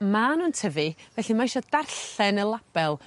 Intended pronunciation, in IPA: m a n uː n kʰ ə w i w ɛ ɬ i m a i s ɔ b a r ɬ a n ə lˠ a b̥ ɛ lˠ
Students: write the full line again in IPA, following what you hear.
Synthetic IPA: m a n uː n tʰ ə v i v ɛ ɬ i m a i ʃ ɔ d a r ɬ ɛ n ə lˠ a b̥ ɛ lˠ